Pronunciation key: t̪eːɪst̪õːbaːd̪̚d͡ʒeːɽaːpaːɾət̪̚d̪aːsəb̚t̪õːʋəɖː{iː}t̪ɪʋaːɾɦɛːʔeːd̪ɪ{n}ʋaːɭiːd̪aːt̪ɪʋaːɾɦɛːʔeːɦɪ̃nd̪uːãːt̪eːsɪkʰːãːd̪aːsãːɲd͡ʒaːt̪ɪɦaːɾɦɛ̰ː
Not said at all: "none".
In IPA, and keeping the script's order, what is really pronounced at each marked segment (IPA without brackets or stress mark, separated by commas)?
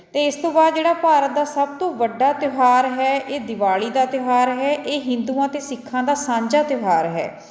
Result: aː, none